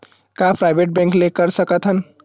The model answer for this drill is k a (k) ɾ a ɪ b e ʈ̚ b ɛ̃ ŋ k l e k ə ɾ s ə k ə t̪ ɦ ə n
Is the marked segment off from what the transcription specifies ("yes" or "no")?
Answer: yes